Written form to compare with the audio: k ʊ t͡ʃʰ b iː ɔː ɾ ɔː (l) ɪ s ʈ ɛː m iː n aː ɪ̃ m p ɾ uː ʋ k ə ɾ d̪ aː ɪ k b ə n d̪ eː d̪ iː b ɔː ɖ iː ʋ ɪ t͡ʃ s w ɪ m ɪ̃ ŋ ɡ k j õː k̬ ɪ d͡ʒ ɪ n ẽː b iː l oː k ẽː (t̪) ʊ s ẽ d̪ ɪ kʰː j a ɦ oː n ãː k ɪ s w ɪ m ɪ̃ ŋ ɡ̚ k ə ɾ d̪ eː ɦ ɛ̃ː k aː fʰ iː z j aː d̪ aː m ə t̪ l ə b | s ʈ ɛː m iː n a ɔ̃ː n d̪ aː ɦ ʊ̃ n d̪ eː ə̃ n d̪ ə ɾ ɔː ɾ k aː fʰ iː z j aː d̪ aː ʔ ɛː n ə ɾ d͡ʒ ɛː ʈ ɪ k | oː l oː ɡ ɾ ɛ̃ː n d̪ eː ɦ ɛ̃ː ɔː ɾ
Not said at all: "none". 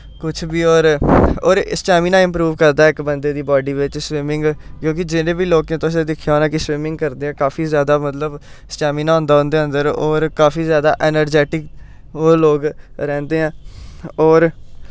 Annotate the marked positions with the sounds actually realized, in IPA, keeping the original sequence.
ɾ, t̪

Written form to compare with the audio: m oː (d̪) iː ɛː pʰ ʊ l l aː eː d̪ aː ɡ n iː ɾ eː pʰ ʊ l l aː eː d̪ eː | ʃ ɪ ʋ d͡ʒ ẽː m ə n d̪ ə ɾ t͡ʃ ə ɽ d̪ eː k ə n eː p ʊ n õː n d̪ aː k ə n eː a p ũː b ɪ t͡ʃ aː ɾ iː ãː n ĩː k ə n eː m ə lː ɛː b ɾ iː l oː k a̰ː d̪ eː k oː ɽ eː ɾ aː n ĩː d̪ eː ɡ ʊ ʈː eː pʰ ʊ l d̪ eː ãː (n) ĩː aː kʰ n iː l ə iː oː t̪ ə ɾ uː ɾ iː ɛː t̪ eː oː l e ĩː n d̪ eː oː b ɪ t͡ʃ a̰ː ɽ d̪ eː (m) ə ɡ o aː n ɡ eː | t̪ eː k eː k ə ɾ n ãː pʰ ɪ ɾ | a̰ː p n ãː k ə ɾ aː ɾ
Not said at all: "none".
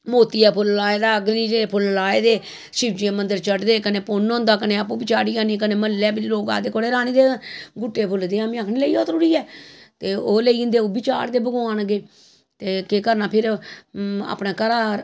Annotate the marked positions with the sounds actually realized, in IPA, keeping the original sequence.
t̪, m, b

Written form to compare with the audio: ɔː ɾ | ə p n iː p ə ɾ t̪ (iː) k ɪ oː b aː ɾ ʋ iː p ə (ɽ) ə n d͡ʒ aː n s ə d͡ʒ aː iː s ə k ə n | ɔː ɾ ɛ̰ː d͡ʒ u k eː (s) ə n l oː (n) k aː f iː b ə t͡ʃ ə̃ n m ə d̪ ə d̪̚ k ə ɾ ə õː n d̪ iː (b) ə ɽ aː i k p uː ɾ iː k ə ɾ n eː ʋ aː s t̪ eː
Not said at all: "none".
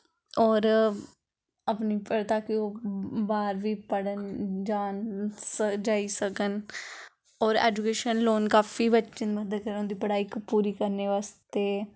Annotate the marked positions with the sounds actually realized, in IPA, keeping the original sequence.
aː, ɽ, ʃ, n, p

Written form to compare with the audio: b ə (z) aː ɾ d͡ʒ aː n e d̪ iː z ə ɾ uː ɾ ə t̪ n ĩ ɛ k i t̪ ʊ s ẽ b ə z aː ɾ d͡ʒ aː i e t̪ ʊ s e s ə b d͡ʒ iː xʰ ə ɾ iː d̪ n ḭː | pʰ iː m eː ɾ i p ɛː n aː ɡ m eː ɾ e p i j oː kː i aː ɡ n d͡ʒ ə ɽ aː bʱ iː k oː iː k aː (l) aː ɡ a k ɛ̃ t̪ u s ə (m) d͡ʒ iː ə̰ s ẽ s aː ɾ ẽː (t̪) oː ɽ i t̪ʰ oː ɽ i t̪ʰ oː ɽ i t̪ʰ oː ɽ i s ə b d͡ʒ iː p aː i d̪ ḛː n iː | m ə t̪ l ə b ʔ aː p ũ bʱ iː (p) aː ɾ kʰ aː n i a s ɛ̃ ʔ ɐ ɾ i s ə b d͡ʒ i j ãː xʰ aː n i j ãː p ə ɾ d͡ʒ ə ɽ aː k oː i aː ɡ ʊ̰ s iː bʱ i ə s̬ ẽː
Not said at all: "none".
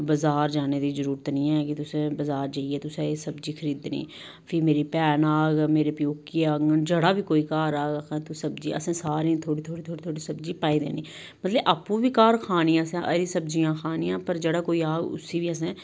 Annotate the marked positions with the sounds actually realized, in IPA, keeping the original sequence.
z, ɾ, b, t̪ʰ, k

